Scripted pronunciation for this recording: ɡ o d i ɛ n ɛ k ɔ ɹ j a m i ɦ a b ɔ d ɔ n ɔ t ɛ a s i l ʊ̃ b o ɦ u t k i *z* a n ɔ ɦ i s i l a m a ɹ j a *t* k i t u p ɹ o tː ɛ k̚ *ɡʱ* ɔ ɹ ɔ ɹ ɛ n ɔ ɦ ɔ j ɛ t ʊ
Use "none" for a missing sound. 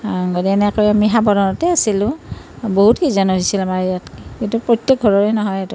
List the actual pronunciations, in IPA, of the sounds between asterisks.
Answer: z, t, ɡʱ

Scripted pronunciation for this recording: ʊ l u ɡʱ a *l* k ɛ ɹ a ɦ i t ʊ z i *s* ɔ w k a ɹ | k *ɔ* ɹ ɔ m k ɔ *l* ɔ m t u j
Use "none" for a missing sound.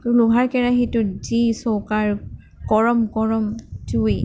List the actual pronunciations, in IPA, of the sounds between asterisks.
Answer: ɹ, s, ɔ, ɹ

